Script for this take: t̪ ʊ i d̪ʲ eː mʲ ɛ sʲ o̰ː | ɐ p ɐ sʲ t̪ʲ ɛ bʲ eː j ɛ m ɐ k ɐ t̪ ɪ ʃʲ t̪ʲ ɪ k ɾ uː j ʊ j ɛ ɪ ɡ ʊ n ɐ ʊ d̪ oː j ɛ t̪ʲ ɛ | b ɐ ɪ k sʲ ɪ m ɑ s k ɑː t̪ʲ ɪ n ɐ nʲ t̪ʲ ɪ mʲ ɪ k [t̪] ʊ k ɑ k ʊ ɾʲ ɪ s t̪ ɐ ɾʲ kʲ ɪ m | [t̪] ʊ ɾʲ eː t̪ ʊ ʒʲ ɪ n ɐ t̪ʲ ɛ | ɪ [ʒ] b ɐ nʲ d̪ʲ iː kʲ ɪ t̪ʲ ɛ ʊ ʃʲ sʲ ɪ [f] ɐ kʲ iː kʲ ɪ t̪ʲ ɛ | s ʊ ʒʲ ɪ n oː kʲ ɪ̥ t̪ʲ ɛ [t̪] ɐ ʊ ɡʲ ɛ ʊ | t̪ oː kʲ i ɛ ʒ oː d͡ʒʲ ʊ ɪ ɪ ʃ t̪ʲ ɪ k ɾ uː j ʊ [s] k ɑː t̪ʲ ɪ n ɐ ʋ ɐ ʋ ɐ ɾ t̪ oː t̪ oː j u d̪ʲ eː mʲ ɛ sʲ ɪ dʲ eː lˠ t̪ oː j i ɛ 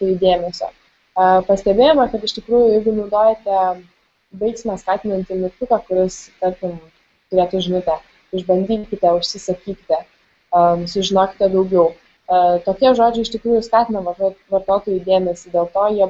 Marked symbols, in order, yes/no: yes, yes, yes, no, no, yes

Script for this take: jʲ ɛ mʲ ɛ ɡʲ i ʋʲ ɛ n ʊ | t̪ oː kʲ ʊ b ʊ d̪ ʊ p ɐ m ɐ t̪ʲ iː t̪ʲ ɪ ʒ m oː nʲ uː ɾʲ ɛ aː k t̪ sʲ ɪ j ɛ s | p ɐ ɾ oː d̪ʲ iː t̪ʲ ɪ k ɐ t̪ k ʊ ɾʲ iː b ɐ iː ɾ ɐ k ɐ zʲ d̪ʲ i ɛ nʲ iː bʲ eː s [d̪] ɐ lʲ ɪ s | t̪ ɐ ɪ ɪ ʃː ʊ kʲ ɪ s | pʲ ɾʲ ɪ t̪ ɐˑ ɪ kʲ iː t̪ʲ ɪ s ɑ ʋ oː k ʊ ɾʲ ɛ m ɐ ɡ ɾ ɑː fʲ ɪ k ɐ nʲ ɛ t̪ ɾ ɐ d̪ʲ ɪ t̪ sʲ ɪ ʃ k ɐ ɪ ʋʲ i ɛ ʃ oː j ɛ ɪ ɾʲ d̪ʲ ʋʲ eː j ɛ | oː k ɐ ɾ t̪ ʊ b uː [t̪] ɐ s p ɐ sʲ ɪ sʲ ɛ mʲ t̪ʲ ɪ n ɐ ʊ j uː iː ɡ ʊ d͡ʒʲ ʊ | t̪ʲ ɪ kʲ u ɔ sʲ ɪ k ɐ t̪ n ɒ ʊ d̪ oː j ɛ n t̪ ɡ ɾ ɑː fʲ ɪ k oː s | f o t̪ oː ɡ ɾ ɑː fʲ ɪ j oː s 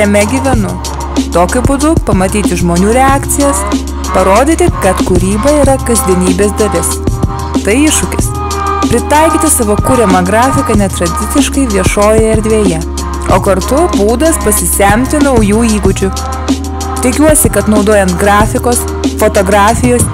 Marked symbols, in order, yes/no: yes, no

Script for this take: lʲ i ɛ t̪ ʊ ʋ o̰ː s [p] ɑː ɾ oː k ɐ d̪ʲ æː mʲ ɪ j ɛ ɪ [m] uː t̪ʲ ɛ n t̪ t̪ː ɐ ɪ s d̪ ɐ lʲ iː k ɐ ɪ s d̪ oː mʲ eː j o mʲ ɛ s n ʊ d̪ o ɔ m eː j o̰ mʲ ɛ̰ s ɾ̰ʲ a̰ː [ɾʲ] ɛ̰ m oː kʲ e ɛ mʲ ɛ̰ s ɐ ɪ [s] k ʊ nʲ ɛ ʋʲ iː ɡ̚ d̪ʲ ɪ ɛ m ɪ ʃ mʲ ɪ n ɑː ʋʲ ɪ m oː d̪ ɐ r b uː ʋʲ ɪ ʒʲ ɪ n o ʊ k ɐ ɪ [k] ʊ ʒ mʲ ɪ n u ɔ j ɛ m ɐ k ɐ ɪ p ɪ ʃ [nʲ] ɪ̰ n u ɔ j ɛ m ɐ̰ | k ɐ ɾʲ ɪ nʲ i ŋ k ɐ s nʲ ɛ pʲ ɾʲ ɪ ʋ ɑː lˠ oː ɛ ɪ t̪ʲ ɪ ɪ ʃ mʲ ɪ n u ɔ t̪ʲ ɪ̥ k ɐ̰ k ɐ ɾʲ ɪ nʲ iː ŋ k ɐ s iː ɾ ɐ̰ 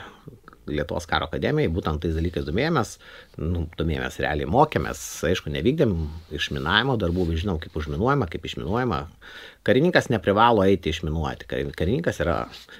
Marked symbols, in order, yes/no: no, no, no, no, no, no

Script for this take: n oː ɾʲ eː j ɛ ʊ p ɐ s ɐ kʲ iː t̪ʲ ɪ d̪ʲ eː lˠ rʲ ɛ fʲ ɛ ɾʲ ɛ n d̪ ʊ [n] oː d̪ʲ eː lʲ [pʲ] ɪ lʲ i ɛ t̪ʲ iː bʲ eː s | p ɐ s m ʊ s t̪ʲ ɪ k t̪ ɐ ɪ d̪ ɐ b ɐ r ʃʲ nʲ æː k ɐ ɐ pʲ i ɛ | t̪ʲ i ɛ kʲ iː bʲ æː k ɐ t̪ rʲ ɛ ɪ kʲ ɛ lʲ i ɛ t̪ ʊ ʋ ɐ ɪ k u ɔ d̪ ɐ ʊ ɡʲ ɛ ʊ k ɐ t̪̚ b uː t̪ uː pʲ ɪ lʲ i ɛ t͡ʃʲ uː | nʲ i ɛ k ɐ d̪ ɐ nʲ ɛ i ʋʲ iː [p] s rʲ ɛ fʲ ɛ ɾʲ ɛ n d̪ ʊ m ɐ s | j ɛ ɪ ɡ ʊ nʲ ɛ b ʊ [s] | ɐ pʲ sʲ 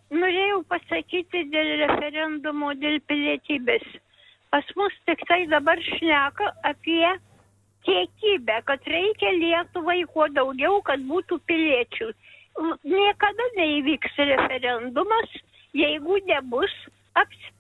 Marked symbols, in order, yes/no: no, yes, no, yes

